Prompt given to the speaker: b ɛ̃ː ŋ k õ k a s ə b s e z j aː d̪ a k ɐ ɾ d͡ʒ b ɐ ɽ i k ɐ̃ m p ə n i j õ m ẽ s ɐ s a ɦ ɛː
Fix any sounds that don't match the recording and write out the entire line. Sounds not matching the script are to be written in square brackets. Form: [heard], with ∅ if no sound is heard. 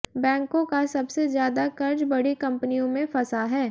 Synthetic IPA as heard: b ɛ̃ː ŋ k õ k a s [ɐ] b s e z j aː d̪ a k ɐ ɾ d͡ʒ b ɐ ɽ i k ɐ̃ m p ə n i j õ m ẽ [f] ɐ s a ɦ ɛː